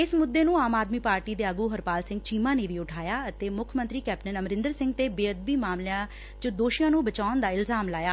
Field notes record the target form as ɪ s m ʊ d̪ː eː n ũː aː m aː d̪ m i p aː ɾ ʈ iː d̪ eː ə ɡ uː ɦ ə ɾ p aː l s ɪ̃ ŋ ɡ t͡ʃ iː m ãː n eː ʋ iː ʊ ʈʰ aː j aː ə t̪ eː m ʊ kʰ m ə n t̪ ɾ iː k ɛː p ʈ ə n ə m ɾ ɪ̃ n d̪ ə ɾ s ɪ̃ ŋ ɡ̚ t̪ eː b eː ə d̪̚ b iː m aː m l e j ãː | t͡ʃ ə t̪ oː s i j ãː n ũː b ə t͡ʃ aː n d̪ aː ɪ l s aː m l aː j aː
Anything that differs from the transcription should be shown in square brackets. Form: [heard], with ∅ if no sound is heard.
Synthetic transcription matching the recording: ɪ s m ʊ d̪ː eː n ũː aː m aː d̪ m [iː] p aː ɾ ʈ iː d̪ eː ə ɡ uː ɦ ə ɾ p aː l s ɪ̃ ŋ ɡ t͡ʃ iː m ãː n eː ʋ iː ʊ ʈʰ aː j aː ə t̪ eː m ʊ kʰ m ə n t̪ ɾ iː k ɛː p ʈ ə n ə m ɾ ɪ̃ n d̪ ə ɾ s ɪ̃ ŋ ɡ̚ t̪ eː b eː ə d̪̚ b iː m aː m l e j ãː | t͡ʃ ə [d̪] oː [ʃ] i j ãː n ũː b ə t͡ʃ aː n d̪ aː ɪ l [z] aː m l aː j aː